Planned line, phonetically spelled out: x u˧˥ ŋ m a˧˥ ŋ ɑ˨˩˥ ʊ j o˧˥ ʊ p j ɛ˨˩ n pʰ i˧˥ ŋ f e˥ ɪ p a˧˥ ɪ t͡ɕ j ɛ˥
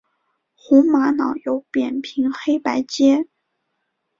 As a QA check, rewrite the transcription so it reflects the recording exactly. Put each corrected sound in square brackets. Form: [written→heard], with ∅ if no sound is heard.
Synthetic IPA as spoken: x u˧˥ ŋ m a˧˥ [ŋ→n] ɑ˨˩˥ ʊ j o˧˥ ʊ p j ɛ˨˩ n pʰ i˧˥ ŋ [f→x] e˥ ɪ p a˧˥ ɪ t͡ɕ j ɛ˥

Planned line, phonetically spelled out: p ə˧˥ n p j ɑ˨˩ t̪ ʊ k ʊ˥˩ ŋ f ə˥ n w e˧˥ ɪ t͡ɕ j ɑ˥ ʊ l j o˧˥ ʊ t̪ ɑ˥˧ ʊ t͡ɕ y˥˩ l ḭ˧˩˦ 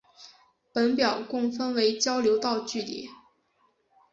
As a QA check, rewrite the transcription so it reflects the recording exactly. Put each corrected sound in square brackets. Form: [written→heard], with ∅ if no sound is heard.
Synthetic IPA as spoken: p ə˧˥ n p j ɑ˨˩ [t̪→∅] ʊ k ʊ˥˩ ŋ f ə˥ n w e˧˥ ɪ t͡ɕ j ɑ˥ ʊ l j o˧˥ ʊ t̪ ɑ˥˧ ʊ t͡ɕ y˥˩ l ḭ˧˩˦

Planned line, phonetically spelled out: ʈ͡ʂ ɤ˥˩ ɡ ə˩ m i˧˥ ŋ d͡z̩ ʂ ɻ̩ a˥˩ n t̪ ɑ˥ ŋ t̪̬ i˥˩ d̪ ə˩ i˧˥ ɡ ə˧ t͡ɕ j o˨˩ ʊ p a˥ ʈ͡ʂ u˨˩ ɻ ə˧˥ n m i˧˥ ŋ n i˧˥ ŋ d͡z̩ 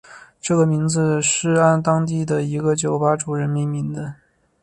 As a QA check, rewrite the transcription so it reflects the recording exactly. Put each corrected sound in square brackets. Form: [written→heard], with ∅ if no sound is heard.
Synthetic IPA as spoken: ʈ͡ʂ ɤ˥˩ ɡ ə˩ m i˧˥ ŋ d͡z̩ ʂ ɻ̩ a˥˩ n t̪ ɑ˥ ŋ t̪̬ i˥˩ d̪ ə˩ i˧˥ ɡ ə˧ t͡ɕ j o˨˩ ʊ p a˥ ʈ͡ʂ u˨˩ ɻ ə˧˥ n m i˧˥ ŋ [n→m] i˧˥ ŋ d͡z̩

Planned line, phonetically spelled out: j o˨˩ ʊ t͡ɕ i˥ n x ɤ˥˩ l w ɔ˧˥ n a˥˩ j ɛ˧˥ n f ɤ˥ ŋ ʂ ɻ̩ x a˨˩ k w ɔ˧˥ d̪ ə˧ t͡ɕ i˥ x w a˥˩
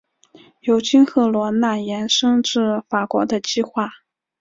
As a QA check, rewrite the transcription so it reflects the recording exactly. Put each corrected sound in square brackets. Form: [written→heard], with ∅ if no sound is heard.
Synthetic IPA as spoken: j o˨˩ ʊ t͡ɕ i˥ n x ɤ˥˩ l w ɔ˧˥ n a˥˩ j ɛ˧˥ n [f→ʂ] ɤ˥ ŋ [ʂ→ʈ͡ʂ] ɻ̩ [x→f] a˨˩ k w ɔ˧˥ d̪ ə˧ t͡ɕ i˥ x w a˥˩

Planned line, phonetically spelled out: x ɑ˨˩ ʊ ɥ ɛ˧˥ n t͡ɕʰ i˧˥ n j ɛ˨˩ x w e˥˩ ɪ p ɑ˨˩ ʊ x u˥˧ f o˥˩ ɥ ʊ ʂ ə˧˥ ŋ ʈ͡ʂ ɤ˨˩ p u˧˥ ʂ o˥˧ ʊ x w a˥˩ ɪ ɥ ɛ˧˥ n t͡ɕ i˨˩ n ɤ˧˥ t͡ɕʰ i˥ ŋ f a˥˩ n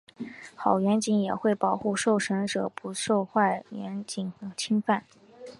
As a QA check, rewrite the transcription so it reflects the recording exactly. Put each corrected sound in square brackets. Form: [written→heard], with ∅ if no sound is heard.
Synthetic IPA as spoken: x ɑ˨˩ ʊ ɥ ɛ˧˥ n [t͡ɕʰ→t͡ɕ] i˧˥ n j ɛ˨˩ x w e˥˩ ɪ p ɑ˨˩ ʊ x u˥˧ [f→ʂ] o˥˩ [ɥ→∅] ʊ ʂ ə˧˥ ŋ ʈ͡ʂ ɤ˨˩ p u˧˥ ʂ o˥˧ ʊ x w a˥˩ ɪ ɥ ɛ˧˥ n t͡ɕ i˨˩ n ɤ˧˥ t͡ɕʰ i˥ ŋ f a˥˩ n

